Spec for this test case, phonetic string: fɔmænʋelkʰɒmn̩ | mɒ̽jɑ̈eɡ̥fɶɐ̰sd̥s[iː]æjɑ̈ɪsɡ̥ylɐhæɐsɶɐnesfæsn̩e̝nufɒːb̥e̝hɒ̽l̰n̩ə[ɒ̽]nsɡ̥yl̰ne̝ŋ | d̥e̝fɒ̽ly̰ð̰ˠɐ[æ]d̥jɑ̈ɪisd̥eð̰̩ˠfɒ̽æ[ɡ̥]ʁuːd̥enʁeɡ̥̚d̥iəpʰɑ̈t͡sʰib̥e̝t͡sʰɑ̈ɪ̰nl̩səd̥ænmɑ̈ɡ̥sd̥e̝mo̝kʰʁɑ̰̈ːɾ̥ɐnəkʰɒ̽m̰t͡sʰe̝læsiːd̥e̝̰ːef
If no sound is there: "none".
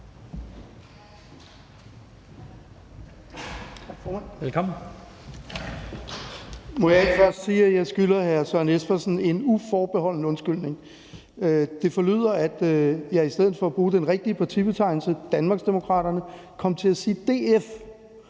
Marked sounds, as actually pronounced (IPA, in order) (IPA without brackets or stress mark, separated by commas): iː, ɔ̽, æ, b̥